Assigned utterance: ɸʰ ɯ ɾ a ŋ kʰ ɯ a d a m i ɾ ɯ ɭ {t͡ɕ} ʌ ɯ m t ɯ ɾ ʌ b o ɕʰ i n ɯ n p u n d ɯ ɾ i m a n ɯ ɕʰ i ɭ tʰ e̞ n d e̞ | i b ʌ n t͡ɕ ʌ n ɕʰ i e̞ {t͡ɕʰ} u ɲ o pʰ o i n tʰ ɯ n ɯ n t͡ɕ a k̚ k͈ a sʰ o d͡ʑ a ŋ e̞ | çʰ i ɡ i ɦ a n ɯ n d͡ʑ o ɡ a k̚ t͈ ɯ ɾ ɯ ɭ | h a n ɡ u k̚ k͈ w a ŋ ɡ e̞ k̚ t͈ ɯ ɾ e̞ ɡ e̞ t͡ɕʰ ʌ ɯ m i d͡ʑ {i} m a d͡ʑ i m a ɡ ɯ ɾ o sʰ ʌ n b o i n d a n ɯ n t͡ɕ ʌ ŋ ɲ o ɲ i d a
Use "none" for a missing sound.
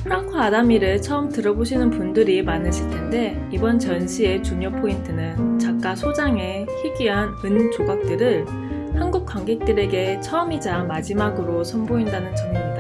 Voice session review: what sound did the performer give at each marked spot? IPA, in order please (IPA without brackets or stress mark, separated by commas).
t͡ɕʰ, t͡ɕ, a